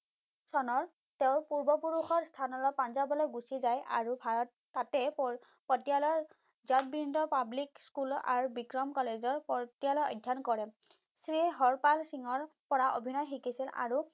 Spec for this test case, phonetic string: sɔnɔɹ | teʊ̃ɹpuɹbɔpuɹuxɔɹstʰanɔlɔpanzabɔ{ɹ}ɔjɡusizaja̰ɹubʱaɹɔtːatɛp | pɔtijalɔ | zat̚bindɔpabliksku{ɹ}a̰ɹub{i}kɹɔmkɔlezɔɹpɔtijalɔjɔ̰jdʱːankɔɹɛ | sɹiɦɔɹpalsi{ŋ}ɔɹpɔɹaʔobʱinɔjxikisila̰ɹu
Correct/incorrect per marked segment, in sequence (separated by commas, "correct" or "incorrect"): incorrect, incorrect, correct, correct